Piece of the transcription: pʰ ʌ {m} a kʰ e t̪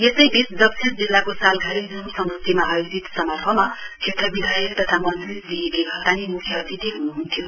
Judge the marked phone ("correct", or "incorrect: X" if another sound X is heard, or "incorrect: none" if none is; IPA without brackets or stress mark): correct